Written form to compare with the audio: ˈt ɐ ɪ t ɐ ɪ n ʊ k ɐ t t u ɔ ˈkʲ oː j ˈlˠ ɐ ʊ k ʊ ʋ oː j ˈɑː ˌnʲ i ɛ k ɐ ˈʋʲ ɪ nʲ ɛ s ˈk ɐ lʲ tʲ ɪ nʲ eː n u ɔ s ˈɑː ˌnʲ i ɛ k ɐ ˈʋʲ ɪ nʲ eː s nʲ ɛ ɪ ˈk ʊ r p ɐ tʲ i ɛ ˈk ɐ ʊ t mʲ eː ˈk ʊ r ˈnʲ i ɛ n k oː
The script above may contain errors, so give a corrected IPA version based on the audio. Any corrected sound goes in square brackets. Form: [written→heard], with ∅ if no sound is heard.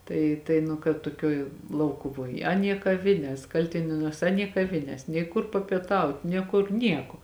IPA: ˈt ɐ ɪ t ɐ ɪ n ʊ k ɐ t t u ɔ ˈkʲ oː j ˈlˠ ɐ ʊ k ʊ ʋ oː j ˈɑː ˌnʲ i ɛ k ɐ ˈʋʲ ɪ nʲ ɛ s ˈk ɐ lʲ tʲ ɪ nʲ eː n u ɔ s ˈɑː ˌnʲ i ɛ k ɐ ˈʋʲ ɪ nʲ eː s nʲ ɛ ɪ ˈk ʊ r p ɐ [tʲ→pʲ] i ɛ [ˈk→ˈt] ɐ ʊ t [mʲ→nʲ] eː ˈk ʊ r ˈnʲ i ɛ [n→∅] k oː